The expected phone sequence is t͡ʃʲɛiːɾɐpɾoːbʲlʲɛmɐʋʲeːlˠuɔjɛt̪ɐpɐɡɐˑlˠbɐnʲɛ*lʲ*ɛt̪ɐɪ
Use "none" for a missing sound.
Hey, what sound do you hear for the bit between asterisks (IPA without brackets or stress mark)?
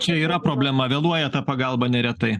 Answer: ɾʲ